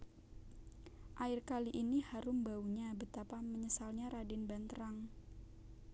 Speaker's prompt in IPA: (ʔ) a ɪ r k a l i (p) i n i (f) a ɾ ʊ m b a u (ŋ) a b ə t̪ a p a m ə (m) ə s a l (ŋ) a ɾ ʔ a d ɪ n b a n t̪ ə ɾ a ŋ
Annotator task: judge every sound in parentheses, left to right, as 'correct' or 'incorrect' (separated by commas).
correct, incorrect, incorrect, incorrect, incorrect, incorrect